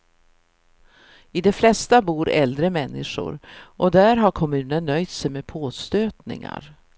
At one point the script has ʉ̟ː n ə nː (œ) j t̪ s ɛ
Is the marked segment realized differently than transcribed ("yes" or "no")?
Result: no